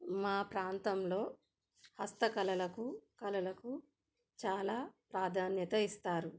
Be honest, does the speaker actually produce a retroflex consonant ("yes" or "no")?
no